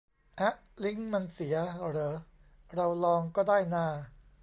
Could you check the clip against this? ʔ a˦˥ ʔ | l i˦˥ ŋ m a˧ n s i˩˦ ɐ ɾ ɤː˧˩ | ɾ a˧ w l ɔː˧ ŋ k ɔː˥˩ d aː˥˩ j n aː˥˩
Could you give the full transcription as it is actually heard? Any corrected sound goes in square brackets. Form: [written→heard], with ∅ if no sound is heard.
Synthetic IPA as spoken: ʔ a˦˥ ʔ | l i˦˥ ŋ m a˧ n s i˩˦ ɐ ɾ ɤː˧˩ | ɾ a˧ w l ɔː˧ ŋ k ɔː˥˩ d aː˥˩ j n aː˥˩